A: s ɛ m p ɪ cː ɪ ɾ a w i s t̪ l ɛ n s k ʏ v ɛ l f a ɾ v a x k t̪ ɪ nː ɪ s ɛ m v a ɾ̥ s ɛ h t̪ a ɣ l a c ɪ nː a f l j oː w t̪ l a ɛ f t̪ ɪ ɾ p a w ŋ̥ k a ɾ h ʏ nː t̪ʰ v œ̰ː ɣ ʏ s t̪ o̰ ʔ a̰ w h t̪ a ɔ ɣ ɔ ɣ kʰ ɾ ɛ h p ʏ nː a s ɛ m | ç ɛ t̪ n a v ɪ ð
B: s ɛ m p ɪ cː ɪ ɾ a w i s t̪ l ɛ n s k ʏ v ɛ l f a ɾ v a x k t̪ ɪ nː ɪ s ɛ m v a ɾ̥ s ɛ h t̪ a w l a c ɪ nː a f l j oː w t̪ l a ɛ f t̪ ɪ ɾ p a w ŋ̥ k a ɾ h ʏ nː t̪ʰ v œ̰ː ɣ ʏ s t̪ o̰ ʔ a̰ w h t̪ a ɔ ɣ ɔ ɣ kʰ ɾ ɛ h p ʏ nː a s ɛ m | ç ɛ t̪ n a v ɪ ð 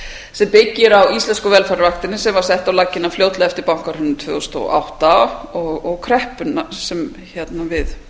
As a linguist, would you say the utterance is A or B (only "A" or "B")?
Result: B